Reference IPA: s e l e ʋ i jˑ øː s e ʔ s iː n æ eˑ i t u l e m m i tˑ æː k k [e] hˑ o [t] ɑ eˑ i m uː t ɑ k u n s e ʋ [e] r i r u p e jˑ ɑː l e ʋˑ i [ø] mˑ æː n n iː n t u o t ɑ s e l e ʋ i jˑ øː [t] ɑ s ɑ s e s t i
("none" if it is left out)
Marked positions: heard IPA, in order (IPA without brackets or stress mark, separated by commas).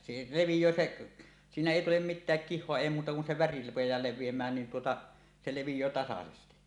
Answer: i, none, æ, e, t